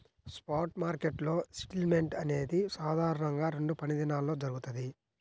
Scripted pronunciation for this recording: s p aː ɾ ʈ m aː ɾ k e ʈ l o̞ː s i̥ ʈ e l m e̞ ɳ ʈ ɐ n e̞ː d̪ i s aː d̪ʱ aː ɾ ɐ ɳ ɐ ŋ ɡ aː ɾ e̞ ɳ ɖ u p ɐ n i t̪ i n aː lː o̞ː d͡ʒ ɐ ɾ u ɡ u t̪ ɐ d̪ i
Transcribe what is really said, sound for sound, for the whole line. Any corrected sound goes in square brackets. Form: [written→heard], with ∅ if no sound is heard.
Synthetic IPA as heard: s p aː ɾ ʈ m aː ɾ k e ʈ l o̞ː s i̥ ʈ [e→i] l m e̞ ɳ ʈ ɐ n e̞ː d̪ i s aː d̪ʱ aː ɾ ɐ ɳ ɐ ŋ ɡ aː ɾ e̞ ɳ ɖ u p ɐ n i [t̪→d̪] i n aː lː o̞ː d͡ʒ ɐ ɾ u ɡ u t̪ ɐ d̪ i